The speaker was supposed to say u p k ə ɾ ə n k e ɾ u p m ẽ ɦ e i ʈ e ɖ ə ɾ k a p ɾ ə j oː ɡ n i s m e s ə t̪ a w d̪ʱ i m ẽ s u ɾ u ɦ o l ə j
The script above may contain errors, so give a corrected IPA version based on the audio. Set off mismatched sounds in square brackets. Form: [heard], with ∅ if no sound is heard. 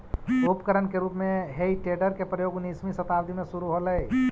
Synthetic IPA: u p k ə ɾ ə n k e ɾ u p m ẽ ɦ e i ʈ e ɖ ə ɾ k [e] p ɾ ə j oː ɡ n i s m [i] s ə t̪ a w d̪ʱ i m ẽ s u ɾ u ɦ o l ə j